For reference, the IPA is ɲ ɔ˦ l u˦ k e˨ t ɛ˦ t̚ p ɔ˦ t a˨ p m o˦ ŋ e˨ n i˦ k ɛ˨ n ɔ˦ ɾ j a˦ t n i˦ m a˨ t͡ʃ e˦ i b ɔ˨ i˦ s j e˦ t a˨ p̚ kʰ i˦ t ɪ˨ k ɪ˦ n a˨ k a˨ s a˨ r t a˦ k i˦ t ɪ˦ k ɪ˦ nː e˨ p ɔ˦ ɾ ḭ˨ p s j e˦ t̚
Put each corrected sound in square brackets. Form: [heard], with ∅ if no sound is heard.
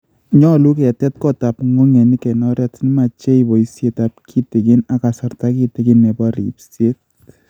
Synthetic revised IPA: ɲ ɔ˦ l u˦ k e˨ t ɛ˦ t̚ [k] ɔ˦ t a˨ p [ŋ] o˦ ŋ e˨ n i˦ k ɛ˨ n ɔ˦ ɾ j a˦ t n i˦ m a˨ t͡ʃ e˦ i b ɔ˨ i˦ s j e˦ t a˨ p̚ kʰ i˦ t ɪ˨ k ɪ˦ n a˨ k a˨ s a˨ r t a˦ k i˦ t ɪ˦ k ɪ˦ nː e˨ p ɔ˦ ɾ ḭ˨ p s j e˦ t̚